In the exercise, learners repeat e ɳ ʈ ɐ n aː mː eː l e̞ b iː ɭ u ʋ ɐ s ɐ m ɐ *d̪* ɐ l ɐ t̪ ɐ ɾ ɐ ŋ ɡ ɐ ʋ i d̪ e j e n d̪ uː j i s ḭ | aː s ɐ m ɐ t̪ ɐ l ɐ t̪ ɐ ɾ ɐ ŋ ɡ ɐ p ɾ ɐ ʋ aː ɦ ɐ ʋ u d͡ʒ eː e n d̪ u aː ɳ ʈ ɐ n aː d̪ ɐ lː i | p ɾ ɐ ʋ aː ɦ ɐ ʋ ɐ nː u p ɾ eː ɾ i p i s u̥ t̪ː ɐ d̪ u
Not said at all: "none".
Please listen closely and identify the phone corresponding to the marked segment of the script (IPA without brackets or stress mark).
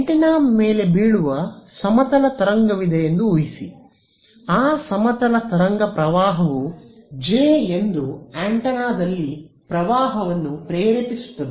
t̪